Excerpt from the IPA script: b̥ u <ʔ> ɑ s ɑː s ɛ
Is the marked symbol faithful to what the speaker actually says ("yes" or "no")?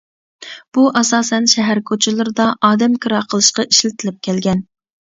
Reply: yes